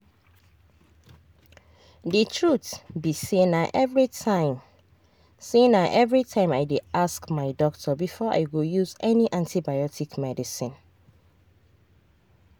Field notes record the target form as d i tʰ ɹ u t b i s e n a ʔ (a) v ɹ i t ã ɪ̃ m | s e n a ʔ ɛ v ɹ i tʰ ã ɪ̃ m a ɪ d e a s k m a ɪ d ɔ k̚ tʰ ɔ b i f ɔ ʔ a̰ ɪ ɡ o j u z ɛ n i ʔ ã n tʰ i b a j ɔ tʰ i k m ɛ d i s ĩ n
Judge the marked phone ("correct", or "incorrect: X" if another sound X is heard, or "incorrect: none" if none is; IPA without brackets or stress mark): incorrect: ɛ